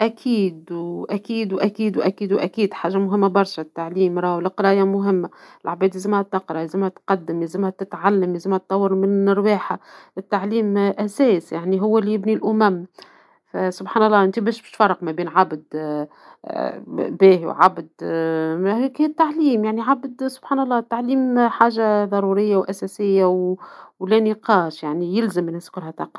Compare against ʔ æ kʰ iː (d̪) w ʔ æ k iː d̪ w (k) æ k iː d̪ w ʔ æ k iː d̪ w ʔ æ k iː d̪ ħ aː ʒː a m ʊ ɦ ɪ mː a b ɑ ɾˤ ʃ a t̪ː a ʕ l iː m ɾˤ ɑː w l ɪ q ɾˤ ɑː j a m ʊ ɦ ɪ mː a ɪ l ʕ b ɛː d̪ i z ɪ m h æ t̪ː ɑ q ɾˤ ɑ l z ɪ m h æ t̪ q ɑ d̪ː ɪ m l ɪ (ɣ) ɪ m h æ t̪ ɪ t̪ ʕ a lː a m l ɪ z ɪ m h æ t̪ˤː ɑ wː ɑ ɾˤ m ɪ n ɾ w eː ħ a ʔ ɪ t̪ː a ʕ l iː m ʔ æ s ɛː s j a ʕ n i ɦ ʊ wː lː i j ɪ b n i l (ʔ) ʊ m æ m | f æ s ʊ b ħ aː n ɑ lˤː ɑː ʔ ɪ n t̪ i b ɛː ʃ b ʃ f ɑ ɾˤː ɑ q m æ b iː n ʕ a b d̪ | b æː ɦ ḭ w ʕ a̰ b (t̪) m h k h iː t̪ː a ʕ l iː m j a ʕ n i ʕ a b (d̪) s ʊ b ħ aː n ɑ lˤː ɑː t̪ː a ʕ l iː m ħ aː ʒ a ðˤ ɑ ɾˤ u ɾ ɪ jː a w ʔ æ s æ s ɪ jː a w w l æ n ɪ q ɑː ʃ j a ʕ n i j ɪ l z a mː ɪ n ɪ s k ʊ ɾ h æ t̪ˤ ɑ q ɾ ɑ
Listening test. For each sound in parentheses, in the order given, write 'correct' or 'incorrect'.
correct, incorrect: ʔ, incorrect: z, correct, incorrect: d̪, correct

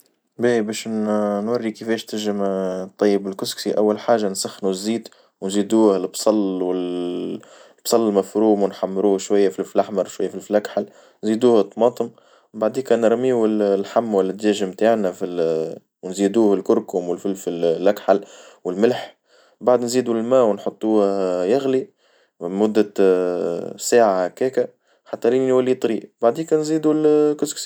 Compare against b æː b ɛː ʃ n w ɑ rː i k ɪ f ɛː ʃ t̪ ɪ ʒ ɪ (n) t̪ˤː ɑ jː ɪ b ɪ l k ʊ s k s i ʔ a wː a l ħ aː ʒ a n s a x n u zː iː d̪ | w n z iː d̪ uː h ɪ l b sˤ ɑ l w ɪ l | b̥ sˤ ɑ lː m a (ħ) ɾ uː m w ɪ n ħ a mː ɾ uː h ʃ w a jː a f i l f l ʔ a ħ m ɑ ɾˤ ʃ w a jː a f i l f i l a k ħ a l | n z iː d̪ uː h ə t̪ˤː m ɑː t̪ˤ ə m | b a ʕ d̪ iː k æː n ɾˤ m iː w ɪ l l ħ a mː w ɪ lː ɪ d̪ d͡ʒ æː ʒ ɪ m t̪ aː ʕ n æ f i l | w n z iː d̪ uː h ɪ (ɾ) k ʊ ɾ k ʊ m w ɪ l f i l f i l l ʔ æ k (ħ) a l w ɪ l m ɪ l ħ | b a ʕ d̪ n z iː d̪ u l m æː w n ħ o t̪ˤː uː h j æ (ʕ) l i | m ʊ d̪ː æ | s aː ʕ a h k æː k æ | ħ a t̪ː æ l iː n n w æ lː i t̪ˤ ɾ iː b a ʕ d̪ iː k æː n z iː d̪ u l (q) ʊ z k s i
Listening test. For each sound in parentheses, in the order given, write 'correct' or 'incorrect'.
incorrect: m, incorrect: f, incorrect: l, correct, incorrect: ɣ, incorrect: k

